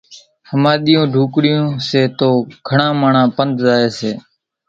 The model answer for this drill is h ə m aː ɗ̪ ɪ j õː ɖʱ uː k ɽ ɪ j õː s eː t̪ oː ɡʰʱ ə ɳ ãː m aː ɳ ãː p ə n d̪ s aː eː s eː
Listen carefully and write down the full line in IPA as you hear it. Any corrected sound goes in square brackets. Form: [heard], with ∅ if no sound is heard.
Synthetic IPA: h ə m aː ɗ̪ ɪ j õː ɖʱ uː k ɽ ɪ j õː s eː t̪ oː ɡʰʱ ə ɳ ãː m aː ɳ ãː p ə n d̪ [z] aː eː s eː